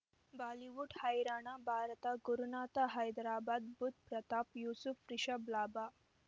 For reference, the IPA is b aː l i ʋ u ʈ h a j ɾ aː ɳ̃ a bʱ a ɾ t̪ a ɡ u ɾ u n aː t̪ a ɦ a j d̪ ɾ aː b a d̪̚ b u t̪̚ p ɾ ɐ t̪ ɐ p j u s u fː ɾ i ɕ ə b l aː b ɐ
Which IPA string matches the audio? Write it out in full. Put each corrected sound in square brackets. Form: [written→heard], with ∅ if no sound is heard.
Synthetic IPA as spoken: b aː l i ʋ u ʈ h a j ɾ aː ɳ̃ a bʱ a ɾ t̪ a ɡ u ɾ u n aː t̪ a ɦ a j d̪ ɾ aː b a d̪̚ b u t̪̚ p ɾ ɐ t̪ [ɐ→a] p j u s u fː ɾ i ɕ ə b l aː b [ɐ→a]